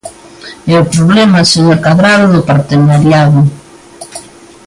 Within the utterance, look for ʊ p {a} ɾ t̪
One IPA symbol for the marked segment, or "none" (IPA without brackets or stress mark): a